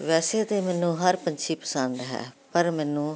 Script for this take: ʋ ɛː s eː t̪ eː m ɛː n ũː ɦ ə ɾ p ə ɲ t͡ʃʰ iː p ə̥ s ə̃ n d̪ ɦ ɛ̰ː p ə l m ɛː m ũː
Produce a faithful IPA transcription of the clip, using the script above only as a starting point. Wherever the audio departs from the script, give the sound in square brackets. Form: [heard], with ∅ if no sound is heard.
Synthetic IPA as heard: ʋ ɛː s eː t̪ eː m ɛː n ũː ɦ ə ɾ p ə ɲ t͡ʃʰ iː p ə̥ s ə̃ n d̪ ɦ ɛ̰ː p ə [ɾ] m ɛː [n] ũː